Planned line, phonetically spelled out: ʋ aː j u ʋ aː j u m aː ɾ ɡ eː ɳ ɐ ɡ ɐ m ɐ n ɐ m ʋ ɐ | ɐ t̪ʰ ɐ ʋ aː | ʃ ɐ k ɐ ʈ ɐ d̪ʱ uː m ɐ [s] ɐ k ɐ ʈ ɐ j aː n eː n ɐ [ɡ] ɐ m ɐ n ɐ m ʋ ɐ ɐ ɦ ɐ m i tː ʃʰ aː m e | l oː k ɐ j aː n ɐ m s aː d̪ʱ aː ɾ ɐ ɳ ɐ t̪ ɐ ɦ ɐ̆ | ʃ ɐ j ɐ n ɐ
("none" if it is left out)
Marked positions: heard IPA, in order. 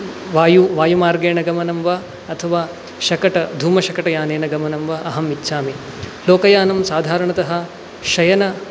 ʃ, ɡ

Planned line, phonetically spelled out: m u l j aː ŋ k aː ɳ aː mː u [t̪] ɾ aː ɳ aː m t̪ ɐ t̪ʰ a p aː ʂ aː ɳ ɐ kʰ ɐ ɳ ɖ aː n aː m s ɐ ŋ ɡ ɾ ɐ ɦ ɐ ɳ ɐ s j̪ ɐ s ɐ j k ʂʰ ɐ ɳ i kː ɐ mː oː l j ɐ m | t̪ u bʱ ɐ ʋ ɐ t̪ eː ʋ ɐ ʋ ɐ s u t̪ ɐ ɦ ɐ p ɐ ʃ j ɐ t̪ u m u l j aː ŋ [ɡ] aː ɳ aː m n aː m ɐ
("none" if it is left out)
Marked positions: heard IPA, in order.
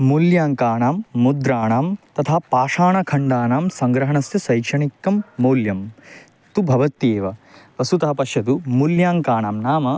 d̪, k

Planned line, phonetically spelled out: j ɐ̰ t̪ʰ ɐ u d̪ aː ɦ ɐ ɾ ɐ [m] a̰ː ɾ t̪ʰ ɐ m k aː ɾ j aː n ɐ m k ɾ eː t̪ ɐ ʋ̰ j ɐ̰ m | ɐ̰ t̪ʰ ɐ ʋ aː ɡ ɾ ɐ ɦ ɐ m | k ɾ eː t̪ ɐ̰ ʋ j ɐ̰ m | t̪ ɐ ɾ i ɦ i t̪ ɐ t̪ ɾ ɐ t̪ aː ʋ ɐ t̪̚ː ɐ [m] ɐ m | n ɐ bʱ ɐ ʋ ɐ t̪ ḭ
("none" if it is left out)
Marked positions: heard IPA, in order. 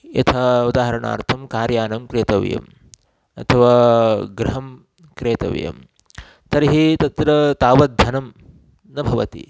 ɳ, n

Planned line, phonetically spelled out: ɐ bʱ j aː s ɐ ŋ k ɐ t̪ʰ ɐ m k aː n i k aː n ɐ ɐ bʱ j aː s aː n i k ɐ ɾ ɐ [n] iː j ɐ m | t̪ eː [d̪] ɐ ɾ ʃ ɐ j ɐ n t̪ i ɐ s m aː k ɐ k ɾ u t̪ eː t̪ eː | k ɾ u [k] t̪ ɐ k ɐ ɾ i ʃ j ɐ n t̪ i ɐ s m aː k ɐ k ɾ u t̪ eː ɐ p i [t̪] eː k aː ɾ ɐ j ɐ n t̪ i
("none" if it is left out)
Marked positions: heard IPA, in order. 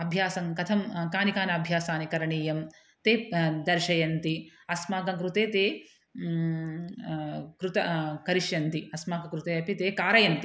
ɳ, d̪, none, t̪

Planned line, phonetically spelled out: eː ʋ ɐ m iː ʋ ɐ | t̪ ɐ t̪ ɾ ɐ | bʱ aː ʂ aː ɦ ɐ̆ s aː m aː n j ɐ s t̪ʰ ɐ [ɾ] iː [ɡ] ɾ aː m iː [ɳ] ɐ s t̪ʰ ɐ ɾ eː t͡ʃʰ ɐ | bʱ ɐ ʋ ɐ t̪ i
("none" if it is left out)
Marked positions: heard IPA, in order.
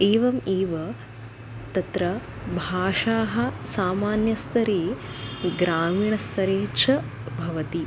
ɾ, ɡ, ɳ

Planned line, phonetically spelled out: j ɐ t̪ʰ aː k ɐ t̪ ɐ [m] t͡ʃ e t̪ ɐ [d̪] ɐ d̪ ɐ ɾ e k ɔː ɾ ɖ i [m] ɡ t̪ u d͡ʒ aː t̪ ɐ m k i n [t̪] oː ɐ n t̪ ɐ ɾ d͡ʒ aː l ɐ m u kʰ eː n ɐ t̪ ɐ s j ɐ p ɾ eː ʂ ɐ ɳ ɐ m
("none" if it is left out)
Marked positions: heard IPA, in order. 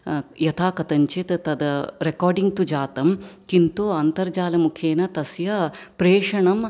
ɲ, t̪, ŋ, t̪

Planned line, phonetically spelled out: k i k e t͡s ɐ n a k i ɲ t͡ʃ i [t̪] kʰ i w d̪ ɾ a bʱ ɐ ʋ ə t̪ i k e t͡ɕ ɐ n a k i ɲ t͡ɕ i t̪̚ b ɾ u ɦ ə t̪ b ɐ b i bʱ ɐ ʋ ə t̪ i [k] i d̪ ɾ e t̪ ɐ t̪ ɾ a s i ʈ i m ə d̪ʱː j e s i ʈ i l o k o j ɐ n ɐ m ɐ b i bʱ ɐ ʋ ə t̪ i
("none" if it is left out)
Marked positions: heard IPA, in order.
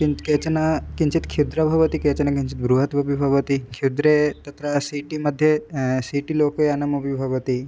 t̪, kʰ

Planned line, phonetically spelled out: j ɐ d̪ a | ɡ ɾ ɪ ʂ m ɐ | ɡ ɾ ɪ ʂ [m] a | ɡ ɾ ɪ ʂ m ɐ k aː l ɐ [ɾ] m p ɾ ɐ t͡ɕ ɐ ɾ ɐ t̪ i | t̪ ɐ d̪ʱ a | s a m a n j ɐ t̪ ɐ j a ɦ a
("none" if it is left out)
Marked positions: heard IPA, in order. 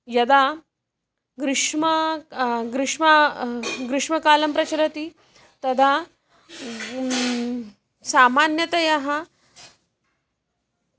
m, none

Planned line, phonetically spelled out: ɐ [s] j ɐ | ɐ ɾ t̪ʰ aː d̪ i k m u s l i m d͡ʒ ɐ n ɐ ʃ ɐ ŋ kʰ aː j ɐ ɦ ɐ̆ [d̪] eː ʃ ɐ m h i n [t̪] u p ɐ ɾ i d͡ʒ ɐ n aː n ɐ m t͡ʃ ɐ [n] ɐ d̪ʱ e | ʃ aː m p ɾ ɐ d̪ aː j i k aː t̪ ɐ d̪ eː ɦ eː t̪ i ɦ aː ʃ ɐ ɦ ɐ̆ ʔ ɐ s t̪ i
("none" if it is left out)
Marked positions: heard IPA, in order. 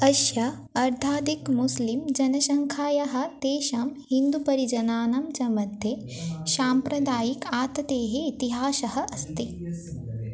ʃ, t̪, d̪, m

